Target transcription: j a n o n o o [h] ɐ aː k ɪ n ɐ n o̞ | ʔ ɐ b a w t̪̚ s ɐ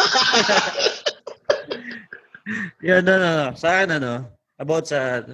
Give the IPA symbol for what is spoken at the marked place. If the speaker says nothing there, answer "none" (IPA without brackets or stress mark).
s